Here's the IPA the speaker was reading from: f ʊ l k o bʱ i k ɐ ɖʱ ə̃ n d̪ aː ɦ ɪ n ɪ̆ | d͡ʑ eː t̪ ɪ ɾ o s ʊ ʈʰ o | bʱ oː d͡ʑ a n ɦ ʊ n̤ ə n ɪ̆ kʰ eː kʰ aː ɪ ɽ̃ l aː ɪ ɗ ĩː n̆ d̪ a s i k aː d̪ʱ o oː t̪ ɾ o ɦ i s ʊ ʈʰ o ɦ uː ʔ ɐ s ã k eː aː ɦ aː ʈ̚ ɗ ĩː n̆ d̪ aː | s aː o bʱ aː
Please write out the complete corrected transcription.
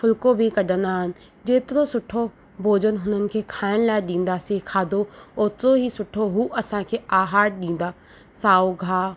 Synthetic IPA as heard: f ʊ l k o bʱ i k ɐ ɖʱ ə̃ n d̪ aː ɦ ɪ n ɪ̆ | d͡ʑ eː t̪ ɪ ɾ o s ʊ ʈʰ o | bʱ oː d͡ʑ ə n ɦ ʊ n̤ ə n ɪ̆ kʰ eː kʰ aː ɪ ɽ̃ l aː ɪ ɗ ĩː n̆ d̪ a s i kʰ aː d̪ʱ o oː t̪ ɾ o ɦ i s ʊ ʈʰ o ɦ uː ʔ ɐ s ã kʰ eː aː ɦ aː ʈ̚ ɗ ĩː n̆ d̪ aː | s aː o ɡʱ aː